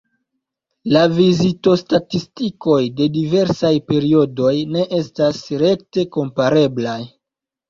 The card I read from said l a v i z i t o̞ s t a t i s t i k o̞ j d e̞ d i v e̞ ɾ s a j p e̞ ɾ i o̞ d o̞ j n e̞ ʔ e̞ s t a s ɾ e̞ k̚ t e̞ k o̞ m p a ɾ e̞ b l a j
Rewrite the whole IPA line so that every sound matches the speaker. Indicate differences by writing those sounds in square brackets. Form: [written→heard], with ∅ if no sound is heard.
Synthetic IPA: l a v i z i t o̞ s t a t i s t i k o̞ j d e̞ d i v e̞ ɾ s a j p e̞ ɾ i o̞ d o̞ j n e̞ ʔ e̞ s t a s ɾ e̞ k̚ t e̞ k o̞ m p a ɾ e̞ b l a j

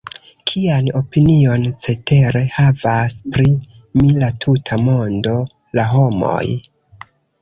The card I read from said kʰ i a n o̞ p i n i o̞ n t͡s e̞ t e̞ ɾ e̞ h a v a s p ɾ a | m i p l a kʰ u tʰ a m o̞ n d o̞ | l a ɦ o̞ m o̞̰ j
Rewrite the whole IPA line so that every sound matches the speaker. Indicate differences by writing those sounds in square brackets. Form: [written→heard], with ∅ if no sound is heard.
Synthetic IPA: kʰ i a n o̞ p i n i o̞ n t͡s e̞ t e̞ ɾ e̞ h a v a s p ɾ [a→i] | m i [p→∅] l a [kʰ→tʰ] u tʰ a m o̞ n d o̞ | l a ɦ o̞ m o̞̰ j

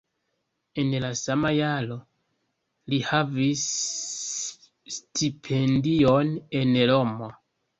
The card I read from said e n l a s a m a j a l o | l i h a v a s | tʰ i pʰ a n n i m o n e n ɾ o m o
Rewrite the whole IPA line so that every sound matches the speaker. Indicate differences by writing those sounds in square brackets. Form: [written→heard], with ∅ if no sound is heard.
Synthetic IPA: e n l a s a m a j a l o | l i h a v [a→i] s | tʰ i pʰ [a→e] n [n→d] i [m→∅] o n e n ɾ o m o

